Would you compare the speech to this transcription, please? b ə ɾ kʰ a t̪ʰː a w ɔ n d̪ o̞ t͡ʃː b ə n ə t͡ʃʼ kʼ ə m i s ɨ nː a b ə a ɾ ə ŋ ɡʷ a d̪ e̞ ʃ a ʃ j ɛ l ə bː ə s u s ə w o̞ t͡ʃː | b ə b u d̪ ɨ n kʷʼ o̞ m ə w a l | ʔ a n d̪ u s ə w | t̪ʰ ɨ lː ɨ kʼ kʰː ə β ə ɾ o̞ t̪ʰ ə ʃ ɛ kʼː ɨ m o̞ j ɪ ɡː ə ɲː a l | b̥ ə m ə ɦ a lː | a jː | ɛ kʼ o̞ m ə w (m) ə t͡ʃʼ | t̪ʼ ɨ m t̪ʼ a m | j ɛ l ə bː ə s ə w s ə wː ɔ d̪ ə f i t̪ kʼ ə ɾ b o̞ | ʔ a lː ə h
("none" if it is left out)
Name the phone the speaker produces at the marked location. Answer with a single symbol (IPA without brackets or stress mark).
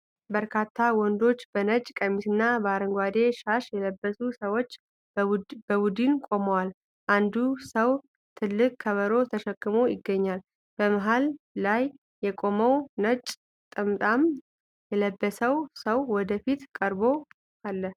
n